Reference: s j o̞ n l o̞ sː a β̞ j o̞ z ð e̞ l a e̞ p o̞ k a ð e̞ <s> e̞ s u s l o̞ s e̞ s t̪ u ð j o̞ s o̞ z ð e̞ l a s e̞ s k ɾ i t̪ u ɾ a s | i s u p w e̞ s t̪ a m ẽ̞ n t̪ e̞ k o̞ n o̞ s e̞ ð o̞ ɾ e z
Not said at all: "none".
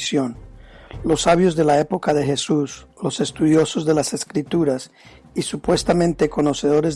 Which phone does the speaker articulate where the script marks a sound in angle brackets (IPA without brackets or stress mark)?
x